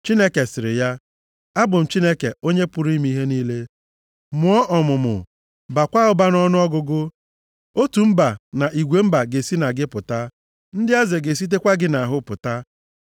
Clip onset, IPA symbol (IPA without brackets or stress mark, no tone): t͡ʃ